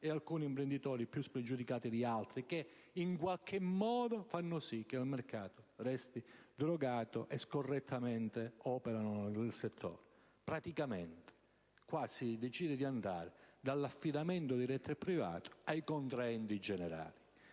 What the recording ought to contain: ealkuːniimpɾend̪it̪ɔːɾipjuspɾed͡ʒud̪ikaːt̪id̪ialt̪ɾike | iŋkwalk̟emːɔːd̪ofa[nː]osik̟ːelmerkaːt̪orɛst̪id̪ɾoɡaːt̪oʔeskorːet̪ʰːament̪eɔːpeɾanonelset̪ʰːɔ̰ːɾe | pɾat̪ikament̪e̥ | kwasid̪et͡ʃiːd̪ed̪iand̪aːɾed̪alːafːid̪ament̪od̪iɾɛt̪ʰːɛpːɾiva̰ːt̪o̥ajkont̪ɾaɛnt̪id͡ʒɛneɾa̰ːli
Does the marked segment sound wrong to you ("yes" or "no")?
no